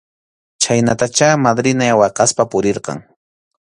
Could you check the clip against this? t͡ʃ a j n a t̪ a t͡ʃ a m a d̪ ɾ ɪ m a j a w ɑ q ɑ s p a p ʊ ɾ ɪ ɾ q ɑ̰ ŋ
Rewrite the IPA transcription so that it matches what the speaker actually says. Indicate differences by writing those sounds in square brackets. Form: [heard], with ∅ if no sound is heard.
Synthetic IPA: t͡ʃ a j n a t̪ a t͡ʃ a m a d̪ ɾ ɪ [n] a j a w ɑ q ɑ s p a p ʊ ɾ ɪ ɾ q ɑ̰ ŋ